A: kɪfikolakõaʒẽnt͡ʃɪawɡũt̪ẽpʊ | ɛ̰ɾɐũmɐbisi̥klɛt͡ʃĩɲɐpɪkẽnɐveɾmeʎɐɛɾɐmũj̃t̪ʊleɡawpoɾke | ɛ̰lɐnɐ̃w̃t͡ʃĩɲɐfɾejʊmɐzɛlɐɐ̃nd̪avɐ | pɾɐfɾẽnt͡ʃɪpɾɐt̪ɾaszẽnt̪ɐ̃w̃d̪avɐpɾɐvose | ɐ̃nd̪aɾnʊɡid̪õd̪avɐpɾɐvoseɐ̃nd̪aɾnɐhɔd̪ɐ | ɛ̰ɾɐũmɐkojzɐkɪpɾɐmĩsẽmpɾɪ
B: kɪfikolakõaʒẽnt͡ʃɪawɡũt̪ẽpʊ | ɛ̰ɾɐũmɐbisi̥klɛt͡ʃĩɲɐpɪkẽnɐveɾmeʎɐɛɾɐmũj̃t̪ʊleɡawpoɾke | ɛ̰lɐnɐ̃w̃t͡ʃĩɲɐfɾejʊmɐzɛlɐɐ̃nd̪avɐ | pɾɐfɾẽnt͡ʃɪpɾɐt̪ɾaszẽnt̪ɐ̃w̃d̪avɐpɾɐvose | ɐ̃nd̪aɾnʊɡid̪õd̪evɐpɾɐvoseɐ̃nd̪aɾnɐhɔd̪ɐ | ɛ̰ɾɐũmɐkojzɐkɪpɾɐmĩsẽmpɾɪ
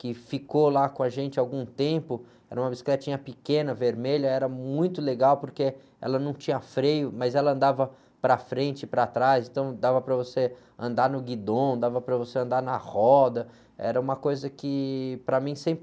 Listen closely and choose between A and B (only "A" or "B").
A